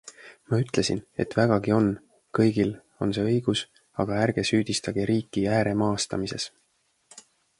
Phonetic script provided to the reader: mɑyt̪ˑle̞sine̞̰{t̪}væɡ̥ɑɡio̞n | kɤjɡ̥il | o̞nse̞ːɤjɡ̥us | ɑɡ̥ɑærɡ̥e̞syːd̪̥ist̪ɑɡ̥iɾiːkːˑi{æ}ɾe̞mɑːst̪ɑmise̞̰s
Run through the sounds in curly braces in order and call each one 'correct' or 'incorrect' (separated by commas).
correct, incorrect